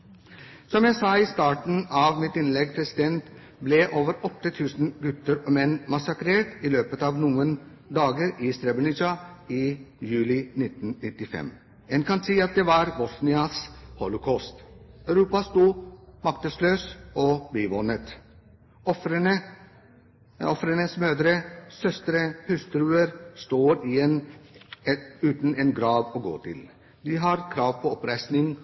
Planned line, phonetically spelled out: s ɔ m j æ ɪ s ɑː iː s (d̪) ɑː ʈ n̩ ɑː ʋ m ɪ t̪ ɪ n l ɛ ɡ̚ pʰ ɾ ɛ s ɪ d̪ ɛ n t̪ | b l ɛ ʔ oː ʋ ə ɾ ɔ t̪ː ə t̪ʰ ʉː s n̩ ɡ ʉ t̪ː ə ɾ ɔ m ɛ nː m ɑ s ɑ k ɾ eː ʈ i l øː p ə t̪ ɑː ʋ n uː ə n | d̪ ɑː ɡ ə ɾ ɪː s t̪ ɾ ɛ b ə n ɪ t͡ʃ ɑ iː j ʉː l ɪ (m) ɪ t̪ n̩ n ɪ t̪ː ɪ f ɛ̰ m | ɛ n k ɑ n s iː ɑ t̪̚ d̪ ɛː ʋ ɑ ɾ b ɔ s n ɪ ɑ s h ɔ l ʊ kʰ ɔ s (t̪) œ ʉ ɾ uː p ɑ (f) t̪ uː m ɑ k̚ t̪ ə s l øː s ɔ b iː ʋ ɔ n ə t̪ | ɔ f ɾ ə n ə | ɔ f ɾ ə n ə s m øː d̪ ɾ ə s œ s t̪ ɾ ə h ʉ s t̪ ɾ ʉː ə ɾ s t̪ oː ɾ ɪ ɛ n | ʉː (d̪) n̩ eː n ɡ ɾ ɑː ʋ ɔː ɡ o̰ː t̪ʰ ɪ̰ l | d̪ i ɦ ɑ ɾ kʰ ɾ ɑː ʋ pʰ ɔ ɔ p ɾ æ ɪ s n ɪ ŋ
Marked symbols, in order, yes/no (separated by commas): no, no, yes, no, no